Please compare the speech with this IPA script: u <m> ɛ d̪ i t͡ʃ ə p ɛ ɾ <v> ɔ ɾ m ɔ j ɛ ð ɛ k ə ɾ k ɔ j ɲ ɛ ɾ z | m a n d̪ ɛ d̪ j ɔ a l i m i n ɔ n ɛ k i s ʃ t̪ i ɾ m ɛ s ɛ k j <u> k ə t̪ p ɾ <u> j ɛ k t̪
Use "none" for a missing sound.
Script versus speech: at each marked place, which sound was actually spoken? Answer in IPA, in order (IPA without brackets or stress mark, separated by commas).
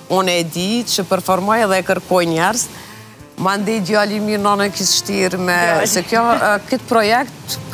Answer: n, f, ɔ, ɔ